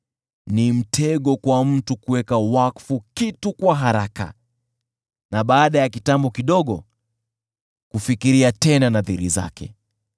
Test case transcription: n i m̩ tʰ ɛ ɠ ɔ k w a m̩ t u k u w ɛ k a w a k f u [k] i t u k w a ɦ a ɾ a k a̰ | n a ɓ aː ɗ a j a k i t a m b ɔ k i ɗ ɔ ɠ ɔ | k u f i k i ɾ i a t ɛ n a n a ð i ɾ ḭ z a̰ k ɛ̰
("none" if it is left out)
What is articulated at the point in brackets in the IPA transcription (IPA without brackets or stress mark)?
k